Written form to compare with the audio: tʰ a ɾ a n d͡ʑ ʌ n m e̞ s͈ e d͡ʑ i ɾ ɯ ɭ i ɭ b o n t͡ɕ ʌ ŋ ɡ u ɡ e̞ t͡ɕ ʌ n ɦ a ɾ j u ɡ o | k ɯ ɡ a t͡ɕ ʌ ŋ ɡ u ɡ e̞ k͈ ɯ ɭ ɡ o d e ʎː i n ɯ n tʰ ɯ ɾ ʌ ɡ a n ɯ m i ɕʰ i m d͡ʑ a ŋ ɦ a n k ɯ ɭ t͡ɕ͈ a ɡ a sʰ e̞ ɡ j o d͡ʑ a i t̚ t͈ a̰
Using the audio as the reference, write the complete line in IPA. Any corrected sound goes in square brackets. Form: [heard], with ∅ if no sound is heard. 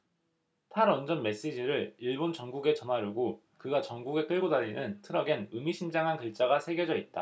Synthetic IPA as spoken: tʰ a ɾ [ʌ] n d͡ʑ ʌ n m e̞ s͈ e d͡ʑ i ɾ ɯ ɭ i ɭ b o n t͡ɕ ʌ ŋ ɡ u ɡ e̞ t͡ɕ ʌ n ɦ a ɾ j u ɡ o | k ɯ ɡ a t͡ɕ ʌ ŋ ɡ u ɡ e̞ k͈ ɯ ɭ ɡ o d [a] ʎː i n ɯ n tʰ ɯ ɾ ʌ ɡ [e] n ɯ m i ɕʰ i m d͡ʑ a ŋ ɦ a n k ɯ ɭ t͡ɕ͈ a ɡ a sʰ e̞ ɡ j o d͡ʑ [ʌ] i t̚ t͈ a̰